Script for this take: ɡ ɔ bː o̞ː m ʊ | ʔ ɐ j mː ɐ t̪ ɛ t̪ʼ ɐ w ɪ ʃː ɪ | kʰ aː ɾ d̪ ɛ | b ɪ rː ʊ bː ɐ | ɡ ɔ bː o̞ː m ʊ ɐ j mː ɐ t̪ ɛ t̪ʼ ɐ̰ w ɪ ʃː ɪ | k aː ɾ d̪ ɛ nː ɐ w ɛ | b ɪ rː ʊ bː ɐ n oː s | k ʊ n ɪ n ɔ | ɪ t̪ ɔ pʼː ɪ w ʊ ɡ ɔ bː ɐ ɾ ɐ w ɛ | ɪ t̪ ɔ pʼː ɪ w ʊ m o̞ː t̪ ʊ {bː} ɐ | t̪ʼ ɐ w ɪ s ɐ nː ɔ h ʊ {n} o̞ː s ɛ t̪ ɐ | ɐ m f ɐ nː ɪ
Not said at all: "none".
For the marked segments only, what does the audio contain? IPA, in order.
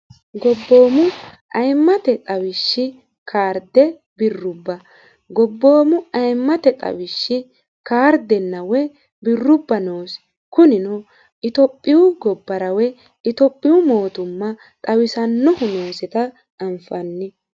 mː, n

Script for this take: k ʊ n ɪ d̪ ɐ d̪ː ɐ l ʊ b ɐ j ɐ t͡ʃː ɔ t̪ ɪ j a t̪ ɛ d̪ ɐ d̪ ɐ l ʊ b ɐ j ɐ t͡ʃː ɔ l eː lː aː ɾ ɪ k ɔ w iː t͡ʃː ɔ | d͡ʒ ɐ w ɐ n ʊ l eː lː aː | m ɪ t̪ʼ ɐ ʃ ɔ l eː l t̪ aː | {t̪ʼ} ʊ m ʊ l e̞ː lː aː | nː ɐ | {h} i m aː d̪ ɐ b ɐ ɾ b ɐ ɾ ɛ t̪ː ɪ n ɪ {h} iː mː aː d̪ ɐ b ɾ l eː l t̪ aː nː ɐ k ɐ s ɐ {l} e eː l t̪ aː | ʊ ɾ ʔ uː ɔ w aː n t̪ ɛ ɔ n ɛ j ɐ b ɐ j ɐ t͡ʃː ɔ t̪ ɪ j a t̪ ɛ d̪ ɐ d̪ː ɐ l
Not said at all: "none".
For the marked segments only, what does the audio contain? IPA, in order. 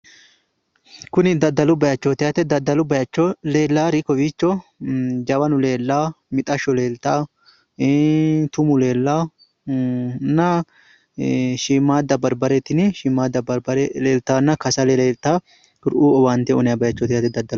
t̪, ʃ, ʃ, l

